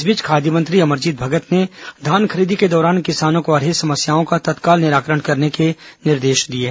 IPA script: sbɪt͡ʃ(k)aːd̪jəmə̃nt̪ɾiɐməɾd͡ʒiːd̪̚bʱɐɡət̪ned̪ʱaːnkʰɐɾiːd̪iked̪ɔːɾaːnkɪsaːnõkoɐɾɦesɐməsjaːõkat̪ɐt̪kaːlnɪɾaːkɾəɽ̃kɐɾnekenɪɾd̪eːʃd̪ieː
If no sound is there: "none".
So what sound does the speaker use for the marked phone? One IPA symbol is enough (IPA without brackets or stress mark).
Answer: kʰ